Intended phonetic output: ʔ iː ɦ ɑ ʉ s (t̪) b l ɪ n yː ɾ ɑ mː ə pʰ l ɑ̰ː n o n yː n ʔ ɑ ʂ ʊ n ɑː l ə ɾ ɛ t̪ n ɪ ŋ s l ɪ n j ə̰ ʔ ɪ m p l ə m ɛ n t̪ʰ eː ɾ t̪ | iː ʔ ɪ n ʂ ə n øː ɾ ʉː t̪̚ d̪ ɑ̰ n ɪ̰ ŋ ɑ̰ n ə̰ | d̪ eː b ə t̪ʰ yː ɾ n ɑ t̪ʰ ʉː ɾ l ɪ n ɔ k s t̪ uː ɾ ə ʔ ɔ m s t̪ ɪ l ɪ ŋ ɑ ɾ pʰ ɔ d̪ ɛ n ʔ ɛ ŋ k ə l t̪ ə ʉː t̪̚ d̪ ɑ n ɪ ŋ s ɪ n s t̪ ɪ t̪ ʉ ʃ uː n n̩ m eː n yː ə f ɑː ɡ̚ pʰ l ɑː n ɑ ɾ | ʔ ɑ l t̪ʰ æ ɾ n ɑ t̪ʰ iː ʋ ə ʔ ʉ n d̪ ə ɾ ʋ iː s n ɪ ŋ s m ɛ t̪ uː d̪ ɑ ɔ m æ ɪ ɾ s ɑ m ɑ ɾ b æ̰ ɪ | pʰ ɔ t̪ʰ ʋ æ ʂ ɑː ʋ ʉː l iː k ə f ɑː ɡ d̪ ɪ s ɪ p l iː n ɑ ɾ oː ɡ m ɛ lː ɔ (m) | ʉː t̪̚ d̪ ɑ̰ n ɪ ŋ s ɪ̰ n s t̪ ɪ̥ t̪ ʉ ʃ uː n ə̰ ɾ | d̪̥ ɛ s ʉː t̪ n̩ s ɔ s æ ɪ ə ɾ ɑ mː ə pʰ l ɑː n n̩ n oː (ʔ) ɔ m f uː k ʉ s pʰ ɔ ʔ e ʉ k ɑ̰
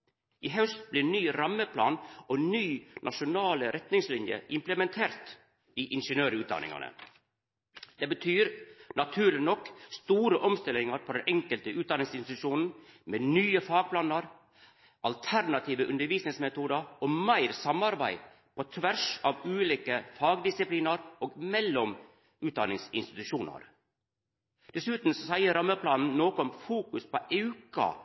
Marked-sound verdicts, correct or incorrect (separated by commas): correct, correct, incorrect